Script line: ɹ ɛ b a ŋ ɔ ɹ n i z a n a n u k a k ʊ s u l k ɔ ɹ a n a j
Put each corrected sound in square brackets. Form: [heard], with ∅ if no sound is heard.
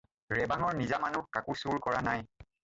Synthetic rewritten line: ɹ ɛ b a ŋ ɔ ɹ n i z a [m] a n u k a k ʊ s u [ɹ] k ɔ ɹ a n a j

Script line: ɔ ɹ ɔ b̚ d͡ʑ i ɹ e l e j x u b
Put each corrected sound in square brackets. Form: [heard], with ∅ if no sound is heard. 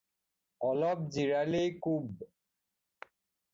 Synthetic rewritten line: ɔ [l] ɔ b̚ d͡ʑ i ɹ [a] l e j [k] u b

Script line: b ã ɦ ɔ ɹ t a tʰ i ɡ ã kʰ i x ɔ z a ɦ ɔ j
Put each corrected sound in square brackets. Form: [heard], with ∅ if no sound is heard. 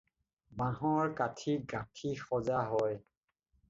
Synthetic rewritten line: b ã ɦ ɔ ɹ [k] a tʰ i ɡ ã [tʰ] i x ɔ z a ɦ ɔ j

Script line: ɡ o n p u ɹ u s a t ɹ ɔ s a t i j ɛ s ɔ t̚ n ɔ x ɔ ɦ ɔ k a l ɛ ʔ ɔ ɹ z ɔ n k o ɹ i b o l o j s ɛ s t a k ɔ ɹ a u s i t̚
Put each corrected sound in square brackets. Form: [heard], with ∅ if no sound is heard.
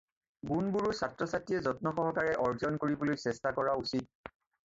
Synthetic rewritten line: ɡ [u] n [b] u ɹ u s a t ɹ ɔ s a t i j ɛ [z] ɔ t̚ n ɔ x ɔ ɦ ɔ k a [ɹ] ɛ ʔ ɔ ɹ z ɔ n k o ɹ i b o l o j s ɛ s t a k ɔ ɹ a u s i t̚

